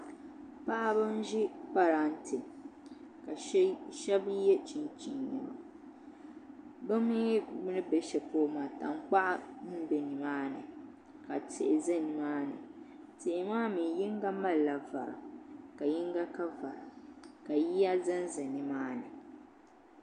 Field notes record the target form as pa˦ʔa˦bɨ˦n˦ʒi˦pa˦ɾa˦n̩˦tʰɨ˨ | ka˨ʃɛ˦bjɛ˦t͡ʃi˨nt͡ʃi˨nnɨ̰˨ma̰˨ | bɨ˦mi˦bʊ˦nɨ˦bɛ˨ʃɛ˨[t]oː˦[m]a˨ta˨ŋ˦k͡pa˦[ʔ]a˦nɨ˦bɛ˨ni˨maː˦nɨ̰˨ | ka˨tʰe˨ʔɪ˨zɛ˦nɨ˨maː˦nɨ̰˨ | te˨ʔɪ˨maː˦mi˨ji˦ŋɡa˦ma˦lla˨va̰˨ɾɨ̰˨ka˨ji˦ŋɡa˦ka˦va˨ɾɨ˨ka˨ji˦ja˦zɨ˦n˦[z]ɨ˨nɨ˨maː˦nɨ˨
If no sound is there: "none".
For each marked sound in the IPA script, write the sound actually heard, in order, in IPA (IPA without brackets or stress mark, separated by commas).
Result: p, m, ʔ, z